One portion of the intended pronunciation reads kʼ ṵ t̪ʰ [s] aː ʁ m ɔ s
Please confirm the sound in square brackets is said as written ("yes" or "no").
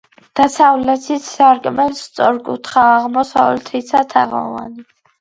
no